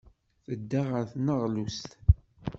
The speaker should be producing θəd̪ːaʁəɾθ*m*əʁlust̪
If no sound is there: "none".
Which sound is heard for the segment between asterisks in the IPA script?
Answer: n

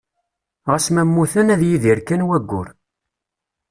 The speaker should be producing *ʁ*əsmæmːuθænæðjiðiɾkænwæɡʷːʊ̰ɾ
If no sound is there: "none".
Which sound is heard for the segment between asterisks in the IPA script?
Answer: ʁ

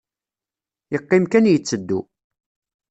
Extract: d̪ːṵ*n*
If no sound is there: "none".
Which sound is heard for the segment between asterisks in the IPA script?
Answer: none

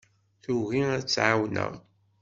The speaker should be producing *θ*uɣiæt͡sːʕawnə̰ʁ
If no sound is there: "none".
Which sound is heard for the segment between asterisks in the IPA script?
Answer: θ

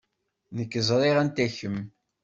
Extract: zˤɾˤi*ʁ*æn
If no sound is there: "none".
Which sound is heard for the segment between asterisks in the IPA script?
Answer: ʁ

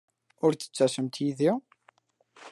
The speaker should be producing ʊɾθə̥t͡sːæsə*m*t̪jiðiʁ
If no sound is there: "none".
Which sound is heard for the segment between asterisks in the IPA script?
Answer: m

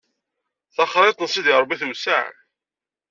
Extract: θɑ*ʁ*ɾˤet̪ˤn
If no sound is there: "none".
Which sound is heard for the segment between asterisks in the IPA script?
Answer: χ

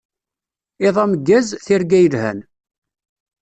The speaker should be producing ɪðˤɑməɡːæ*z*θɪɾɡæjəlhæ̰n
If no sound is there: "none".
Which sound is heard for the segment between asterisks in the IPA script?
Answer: z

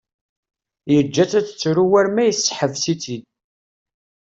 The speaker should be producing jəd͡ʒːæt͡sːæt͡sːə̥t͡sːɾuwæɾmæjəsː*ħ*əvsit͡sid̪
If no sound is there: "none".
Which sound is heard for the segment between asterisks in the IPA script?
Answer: ħ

